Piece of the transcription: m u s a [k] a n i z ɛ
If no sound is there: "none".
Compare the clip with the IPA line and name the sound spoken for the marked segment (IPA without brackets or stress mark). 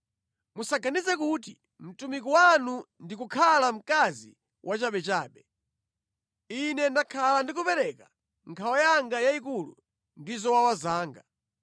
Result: ɡ